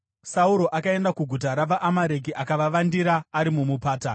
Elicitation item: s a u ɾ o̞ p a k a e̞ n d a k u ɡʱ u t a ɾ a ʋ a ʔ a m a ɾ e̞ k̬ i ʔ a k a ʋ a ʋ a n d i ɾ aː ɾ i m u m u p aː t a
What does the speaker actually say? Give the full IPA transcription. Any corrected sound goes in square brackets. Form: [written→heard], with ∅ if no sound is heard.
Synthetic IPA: s a u ɾ o̞ [p→ʔ] a k a e̞ n d a k u ɡʱ u t a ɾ a ʋ a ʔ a m a ɾ e̞ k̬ i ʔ a k a ʋ a ʋ a n d i ɾ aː ɾ i m u m u p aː t a

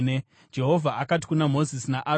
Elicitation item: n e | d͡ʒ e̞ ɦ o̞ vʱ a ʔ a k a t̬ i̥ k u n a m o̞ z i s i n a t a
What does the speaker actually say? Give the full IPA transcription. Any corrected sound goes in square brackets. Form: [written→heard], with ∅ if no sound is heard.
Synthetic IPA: n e | d͡ʒ e̞ ɦ o̞ vʱ a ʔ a k a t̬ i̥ k u n a m o̞ z i s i n a [t→ʔ] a

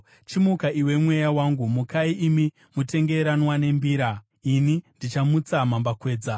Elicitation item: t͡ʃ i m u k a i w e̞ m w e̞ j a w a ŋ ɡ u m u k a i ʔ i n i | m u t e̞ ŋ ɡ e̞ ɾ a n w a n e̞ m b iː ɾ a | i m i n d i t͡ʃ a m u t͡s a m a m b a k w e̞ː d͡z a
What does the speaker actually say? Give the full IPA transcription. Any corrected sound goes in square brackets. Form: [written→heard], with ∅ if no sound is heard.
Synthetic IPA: t͡ʃ i m u k a i w e̞ m w e̞ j a w a ŋ ɡ u m u k a i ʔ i [n→m] i | m u t e̞ ŋ ɡ e̞ ɾ a n w a n e̞ m b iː ɾ a | i [m→n] i n d i t͡ʃ a m u t͡s a m a m b a k w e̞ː d͡z a

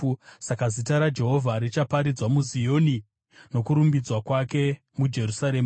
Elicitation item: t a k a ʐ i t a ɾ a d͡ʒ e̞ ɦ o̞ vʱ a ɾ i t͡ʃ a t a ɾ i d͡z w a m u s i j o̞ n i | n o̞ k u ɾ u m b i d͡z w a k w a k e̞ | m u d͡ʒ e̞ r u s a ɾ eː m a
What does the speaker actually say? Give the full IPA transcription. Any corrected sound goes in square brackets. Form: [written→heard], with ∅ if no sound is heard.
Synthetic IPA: [t→s] a k a [ʐ→z] i t a ɾ a d͡ʒ e̞ ɦ o̞ vʱ a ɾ i t͡ʃ a [t→p] a ɾ i d͡z w a m u [s→z] i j o̞ n i | n o̞ k u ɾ u m b i d͡z w a k w a k e̞ | m u d͡ʒ e̞ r u s a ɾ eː m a

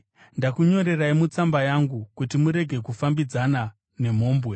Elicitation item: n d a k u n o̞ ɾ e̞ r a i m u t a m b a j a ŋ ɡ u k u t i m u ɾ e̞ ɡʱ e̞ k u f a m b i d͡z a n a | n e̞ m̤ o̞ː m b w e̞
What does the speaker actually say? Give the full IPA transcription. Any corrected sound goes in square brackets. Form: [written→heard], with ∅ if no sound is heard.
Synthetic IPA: n d a k u [n→ɲ] o̞ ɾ e̞ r a i m u [t→t͡s] a m b a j a ŋ ɡ u k u t i m u ɾ e̞ ɡʱ e̞ k u f a m b i d͡z a n a | n e̞ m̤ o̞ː m b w e̞

